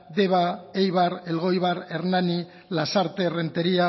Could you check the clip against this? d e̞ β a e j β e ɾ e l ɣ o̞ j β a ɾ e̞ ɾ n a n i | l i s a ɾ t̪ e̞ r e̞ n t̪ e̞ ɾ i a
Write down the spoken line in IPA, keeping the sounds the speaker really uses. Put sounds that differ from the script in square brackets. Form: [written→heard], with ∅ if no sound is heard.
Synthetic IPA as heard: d e̞ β a e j β [e→a] ɾ e l ɣ o̞ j β a ɾ e̞ ɾ n a n i | l [i→a] s a ɾ t̪ e̞ r e̞ n t̪ e̞ ɾ i a

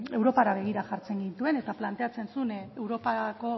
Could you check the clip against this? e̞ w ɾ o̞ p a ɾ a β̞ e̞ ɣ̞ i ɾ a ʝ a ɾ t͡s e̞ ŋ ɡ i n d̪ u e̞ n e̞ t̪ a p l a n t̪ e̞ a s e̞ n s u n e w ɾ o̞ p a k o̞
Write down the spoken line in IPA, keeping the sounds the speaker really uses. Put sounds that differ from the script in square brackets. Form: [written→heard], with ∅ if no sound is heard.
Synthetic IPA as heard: e̞ w ɾ o̞ p a ɾ a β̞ e̞ ɣ̞ i ɾ a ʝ a ɾ t͡s e̞ ŋ ɡ i n [d̪→t̪] u e̞ n e̞ t̪ a p l a n t̪ e̞ a [s→t͡s] e̞ n s u n e w ɾ o̞ p a k o̞

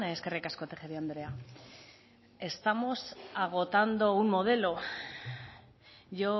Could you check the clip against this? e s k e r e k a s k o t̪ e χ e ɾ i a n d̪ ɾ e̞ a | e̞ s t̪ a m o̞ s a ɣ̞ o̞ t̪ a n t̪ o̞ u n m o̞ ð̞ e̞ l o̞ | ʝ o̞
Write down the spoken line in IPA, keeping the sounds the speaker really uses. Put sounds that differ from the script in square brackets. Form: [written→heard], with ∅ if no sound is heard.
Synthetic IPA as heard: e s k e r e k a s k o t̪ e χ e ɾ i a n d̪ ɾ e̞ a | e̞ s t̪ a m o̞ s a ɣ̞ o̞ t̪ a n [t̪→d̪] o̞ u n m o̞ ð̞ e̞ l o̞ | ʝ o̞

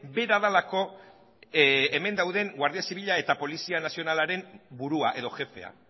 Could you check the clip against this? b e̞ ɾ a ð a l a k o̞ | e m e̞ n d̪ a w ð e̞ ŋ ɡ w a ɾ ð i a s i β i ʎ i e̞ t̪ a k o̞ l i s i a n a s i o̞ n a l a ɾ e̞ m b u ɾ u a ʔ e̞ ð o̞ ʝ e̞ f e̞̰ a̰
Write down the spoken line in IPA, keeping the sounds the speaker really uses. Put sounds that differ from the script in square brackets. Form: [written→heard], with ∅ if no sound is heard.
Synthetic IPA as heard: b e̞ ɾ a ð a l a k o̞ | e m e̞ n d̪ a w ð e̞ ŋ ɡ w a ɾ ð i a s i β i ʎ [i→a] e̞ t̪ a [k→p] o̞ l i s i a n a s i o̞ n a l a ɾ e̞ m b u ɾ u a ʔ e̞ ð o̞ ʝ e̞ f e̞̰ a̰

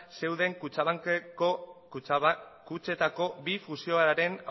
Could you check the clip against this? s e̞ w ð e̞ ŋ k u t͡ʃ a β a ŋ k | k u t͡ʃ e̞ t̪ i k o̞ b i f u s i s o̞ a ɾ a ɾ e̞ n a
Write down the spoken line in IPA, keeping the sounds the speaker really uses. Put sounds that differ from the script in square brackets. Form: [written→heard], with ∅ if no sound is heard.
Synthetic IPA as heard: s e̞ w ð e̞ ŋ k u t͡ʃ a β a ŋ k | k u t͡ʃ e̞ t̪ [i→a] k o̞ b i f u s i [s→∅] o̞ a ɾ a ɾ e̞ n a

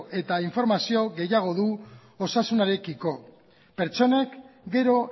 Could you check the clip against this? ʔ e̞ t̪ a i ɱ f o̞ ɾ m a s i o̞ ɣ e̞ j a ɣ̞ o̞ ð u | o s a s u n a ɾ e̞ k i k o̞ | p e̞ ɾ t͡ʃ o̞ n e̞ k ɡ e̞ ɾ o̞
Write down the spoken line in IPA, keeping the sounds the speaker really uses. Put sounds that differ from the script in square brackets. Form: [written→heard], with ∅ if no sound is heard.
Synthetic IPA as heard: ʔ e̞ t̪ a i ɱ f o̞ ɾ m a s i o̞ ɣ e̞ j a ɣ̞ o̞ ð u | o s a s u n a ɾ e̞ k i k o̞ | p e̞ ɾ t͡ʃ o̞ n e̞ k ɡ e̞ ɾ o̞

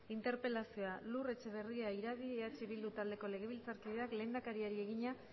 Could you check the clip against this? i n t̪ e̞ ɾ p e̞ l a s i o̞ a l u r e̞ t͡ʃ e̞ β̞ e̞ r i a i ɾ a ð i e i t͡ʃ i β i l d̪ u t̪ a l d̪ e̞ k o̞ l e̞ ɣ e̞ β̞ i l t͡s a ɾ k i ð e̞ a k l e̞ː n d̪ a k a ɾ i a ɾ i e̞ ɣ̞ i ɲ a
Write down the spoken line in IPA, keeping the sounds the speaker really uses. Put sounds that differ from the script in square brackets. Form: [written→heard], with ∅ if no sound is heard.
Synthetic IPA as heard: i n t̪ e̞ ɾ p e̞ l a s i o̞ a l u r e̞ t͡ʃ e̞ β̞ e̞ r i a i ɾ a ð i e [i→a] t͡ʃ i β i l d̪ u t̪ a l d̪ e̞ k o̞ l e̞ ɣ e̞ β̞ i l t͡s a ɾ k i ð e̞ a k l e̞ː n d̪ a k a ɾ i a ɾ i e̞ ɣ̞ i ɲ a

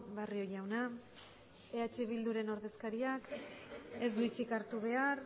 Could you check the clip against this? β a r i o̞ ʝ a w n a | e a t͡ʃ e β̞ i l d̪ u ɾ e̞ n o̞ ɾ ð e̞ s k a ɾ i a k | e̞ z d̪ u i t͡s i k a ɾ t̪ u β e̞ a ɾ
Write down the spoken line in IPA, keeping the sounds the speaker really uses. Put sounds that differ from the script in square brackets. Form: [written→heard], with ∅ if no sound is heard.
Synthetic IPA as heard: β a r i o̞ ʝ a w n a | e a t͡ʃ e β̞ i l d̪ u ɾ e̞ n o̞ ɾ ð e̞ s k a ɾ i a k | e̞ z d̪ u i t͡s i k a ɾ t̪ u β e̞ a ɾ

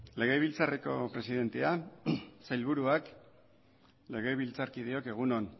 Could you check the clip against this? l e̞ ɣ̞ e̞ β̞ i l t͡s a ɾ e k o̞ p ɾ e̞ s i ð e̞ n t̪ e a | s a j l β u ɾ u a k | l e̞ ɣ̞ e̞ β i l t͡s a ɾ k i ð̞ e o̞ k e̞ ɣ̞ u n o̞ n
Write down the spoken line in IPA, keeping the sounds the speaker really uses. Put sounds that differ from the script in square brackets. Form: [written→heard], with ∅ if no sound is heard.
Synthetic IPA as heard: l e̞ ɣ̞ e̞ β̞ i l t͡s a [ɾ→r] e k o̞ p ɾ e̞ s i ð e̞ n t̪ e a | s a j l β u ɾ u a k | l e̞ ɣ̞ e̞ β i l t͡s a ɾ k i ð̞ e o̞ k e̞ ɣ̞ u n o̞ n

